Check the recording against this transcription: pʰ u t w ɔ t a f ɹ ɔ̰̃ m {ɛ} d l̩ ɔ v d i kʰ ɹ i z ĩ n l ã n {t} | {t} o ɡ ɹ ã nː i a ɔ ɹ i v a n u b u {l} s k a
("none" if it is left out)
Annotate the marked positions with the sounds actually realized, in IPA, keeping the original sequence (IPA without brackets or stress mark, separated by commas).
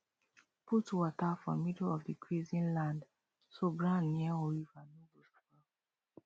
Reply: i, d, s, none